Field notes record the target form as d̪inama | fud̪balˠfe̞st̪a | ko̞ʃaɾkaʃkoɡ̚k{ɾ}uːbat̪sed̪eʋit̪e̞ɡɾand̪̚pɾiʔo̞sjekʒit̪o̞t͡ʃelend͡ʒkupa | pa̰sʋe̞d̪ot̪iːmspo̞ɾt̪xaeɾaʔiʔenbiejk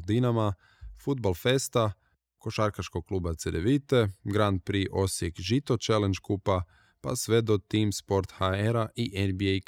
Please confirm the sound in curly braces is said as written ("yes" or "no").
no